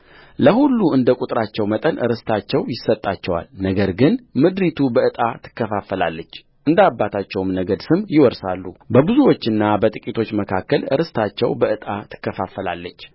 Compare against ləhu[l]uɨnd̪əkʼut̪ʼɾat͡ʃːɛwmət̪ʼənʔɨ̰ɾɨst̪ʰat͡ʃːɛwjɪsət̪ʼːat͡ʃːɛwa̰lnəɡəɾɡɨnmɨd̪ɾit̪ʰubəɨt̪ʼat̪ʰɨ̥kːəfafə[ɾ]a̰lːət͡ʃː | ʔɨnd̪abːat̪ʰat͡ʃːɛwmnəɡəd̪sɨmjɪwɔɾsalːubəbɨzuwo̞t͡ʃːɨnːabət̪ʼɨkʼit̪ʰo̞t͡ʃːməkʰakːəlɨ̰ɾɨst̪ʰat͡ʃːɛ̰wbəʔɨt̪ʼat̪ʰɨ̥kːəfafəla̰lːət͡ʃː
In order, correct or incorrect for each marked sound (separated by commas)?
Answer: incorrect, incorrect